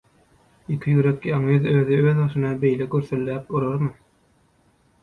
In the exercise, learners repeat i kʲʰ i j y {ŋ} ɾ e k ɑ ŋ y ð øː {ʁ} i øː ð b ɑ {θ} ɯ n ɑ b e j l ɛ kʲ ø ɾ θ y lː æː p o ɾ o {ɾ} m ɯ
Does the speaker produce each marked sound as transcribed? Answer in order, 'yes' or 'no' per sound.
no, no, no, yes

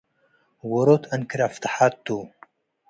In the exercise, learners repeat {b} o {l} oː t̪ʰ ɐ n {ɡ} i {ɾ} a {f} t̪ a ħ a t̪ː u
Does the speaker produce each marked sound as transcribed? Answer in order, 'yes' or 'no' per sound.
no, no, no, yes, yes

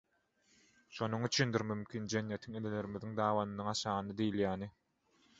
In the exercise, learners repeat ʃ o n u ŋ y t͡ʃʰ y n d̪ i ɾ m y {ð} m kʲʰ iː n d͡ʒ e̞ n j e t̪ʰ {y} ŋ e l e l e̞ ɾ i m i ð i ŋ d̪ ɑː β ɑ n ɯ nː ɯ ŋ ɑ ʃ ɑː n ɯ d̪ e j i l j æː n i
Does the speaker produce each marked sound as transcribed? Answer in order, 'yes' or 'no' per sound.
no, no

